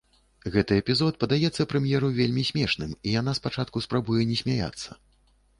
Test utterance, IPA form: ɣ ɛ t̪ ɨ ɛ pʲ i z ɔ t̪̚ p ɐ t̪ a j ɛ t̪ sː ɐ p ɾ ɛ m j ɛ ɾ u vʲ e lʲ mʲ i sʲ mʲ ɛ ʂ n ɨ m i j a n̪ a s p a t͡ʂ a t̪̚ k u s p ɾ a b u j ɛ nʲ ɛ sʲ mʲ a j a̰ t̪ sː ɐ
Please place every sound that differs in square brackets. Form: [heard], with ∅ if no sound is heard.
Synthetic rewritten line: ɣ ɛ t̪ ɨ ɛ pʲ i z ɔ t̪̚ p ɐ [d̪] a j ɛ t̪ sː ɐ p ɾ ɛ m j ɛ ɾ u vʲ e lʲ mʲ i sʲ mʲ ɛ ʂ n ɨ m i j a n̪ a s p a t͡ʂ a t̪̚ k u s p ɾ a b u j ɛ nʲ ɛ sʲ mʲ a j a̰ t̪ sː ɐ